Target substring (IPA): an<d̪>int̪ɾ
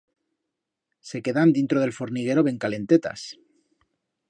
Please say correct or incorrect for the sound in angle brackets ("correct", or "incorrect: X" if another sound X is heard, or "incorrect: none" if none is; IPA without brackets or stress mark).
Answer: correct